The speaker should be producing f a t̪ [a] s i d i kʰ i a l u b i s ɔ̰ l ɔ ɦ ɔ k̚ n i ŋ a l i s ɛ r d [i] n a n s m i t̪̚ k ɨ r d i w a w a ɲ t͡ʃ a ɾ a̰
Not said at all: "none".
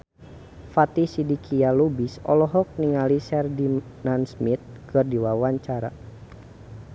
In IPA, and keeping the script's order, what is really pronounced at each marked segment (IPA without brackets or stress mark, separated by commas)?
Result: i, i